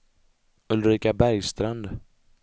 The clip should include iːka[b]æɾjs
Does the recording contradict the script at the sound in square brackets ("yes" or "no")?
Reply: no